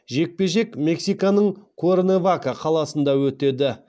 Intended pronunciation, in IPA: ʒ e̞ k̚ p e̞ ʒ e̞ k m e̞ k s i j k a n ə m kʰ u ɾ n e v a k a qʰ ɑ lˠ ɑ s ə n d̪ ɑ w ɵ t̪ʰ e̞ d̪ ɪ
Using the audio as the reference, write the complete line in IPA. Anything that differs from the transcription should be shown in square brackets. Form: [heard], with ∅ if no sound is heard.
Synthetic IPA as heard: ʒ e̞ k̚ p e̞ ʒ e̞ k m e̞ k s i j k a n ə [ɴ] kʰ [o] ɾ n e v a k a qʰ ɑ lˠ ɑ s ə n d̪ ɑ w ɵ [t̪] e̞ d̪ ɪ